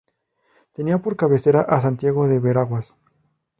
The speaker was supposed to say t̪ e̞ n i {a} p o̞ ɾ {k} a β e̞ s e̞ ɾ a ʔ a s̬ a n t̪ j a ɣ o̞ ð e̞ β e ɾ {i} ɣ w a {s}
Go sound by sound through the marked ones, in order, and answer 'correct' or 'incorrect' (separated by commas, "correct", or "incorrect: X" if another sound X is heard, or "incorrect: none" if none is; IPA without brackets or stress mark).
correct, correct, incorrect: a, correct